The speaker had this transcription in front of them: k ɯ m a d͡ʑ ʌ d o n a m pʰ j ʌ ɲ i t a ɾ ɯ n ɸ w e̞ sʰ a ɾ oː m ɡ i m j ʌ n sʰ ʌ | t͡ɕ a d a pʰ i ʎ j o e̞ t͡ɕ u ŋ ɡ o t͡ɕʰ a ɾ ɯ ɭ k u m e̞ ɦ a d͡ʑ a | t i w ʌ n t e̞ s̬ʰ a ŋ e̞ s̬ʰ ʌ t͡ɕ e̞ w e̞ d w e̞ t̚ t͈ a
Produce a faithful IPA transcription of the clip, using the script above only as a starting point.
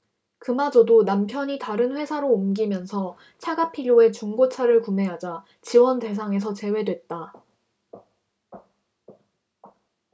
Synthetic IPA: k ɯ m a d͡ʑ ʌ d o n a m pʰ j ʌ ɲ i t a ɾ ɯ n ɸ w e̞ sʰ a ɾ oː m ɡ i m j ʌ n sʰ ʌ | t͡ɕʰ a ɡ a pʰ i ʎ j o e̞ t͡ɕ u ŋ ɡ o t͡ɕʰ a ɾ ɯ ɭ k u m e̞ ɦ a d͡ʑ a | t͡ɕ i w ʌ n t e̞ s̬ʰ a ŋ e̞ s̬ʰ ʌ t͡ɕ e̞ w e̞ d w e̞ t̚ t͈ a

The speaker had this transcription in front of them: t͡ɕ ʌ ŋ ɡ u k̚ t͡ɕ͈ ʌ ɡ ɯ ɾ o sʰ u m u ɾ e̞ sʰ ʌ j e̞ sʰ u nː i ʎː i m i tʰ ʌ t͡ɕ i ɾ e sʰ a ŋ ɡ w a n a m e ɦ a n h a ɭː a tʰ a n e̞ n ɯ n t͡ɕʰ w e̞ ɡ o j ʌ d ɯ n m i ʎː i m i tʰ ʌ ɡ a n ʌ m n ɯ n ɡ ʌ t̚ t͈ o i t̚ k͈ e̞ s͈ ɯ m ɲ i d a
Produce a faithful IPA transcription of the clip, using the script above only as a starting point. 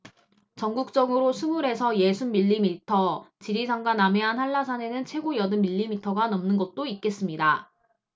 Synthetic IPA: t͡ɕ ʌ ŋ ɡ u k̚ t͡ɕ͈ ʌ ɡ ɯ ɾ o sʰ u m u ɾ e̞ sʰ ʌ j e̞ sʰ u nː i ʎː i m i tʰ ʌ t͡ɕ i ɾ i sʰ a ŋ ɡ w a n a m e ɦ a n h a ɭː a sʰ a n e̞ n ɯ n t͡ɕʰ w e̞ ɡ o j ʌ d ɯ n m i ʎː i m i tʰ ʌ ɡ a n ʌ m n ɯ n ɡ ʌ t̚ t͈ o i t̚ k͈ e̞ s͈ ɯ m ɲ i d a

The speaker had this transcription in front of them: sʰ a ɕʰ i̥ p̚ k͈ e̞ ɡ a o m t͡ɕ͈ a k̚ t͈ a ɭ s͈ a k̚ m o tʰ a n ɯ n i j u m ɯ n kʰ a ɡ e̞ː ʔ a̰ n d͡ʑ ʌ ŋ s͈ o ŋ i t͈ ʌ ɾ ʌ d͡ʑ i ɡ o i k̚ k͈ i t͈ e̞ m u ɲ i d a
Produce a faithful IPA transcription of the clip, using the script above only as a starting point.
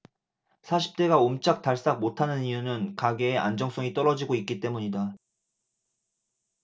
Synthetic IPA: sʰ a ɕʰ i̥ p̚ t͈ e̞ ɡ a o m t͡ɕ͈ a k̚ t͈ a ɭ s͈ a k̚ m o tʰ a n ɯ n i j u n ɯ n k a ɡ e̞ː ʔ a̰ n d͡ʑ ʌ ŋ s͈ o ŋ i t͈ ʌ ɾ ʌ d͡ʑ i ɡ o i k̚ k͈ i t͈ e̞ m u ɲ i d a

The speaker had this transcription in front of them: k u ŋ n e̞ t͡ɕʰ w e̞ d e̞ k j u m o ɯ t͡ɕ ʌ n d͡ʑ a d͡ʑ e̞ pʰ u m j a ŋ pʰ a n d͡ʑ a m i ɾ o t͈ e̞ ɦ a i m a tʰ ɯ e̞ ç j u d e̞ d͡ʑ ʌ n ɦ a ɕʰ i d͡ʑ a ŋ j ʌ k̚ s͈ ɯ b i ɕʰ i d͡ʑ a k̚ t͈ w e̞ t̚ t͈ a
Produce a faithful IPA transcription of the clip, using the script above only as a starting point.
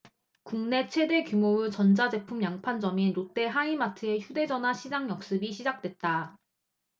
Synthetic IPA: k u ŋ n e̞ t͡ɕʰ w e̞ d e̞ k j u m o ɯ t͡ɕ ʌ n d͡ʑ a d͡ʑ e̞ pʰ u m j a ŋ pʰ a n d͡ʑ ʌ m i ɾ o t͈ e̞ ɦ a i m a tʰ ɯ e̞ ç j u d e̞ d͡ʑ ʌ n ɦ a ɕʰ i d͡ʑ a ŋ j ʌ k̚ s͈ ɯ b i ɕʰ i d͡ʑ a k̚ t͈ w e̞ t̚ t͈ a

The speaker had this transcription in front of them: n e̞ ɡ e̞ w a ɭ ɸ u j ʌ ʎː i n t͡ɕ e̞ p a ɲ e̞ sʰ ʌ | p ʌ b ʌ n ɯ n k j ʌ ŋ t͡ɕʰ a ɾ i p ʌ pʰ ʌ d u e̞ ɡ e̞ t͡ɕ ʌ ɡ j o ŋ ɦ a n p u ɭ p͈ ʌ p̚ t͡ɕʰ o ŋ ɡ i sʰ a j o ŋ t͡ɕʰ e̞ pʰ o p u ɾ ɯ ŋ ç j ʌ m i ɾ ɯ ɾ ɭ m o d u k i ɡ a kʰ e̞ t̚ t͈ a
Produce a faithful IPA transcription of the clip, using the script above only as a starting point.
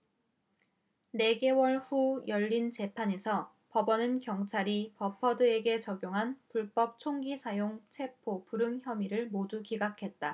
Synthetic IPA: n e̞ ɡ e̞ w ʌ ɭ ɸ u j ʌ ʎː i n t͡ɕ e̞ pʰ a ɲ e̞ sʰ ʌ | p ʌ b ʌ n ɯ n k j ʌ ŋ t͡ɕʰ a ɾ i p ʌ pʰ ʌ d ɯ e̞ ɡ e̞ t͡ɕ ʌ ɡ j o ŋ ɦ a n p u ɭ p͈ ʌ p̚ t͡ɕʰ o ŋ ɡ i sʰ a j o ŋ t͡ɕʰ e̞ pʰ o p u ɾ ɯ ŋ ç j ʌ m i ɾ ɯ ɭ m o d u k i ɡ a kʰ e̞ t̚ t͈ a

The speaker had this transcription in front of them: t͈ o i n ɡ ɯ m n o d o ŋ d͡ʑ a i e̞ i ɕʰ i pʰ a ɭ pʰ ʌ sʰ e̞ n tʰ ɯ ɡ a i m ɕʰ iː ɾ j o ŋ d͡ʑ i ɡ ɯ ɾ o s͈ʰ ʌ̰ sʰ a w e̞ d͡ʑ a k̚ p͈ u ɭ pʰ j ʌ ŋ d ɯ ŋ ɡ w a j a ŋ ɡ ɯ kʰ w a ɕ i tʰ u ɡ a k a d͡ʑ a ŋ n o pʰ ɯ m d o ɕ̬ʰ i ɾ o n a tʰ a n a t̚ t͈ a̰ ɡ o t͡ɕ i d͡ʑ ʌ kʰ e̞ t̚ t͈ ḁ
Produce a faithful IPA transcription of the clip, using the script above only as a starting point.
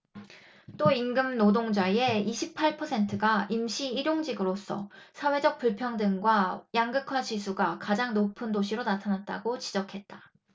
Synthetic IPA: t͈ o i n ɡ ɯ m n o d o ŋ d͡ʑ a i e̞ i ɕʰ i pʰ a ɭ pʰ ʌ sʰ e̞ n tʰ ɯ ɡ a i m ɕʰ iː ɾ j o ŋ d͡ʑ i ɡ ɯ ɾ o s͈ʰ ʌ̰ sʰ a w e̞ d͡ʑ ʌ k̚ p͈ u ɭ pʰ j ʌ ŋ d ɯ ŋ ɡ w a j a ŋ ɡ ɯ kʰ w a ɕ i sʰ u ɡ a k a d͡ʑ a ŋ n o pʰ ɯ n d o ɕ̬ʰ i ɾ o n a tʰ a n a t̚ t͈ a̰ ɡ o t͡ɕ i d͡ʑ ʌ kʰ e̞ t̚ t͈ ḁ

